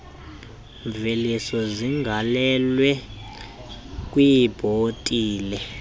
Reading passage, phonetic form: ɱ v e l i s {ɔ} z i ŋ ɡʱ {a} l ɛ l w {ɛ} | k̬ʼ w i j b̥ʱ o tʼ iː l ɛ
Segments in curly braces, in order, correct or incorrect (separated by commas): correct, correct, correct